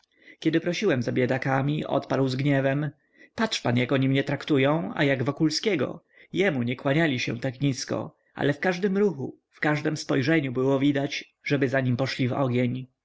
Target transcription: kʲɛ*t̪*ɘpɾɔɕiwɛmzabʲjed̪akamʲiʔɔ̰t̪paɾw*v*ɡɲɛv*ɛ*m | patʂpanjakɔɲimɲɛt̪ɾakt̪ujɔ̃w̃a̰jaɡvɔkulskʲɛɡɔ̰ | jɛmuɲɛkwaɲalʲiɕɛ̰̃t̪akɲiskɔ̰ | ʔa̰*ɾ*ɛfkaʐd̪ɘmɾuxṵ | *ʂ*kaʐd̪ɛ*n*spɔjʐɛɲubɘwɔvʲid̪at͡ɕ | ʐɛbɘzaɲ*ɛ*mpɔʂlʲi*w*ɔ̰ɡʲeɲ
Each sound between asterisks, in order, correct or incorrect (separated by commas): incorrect, incorrect, correct, incorrect, incorrect, incorrect, incorrect, incorrect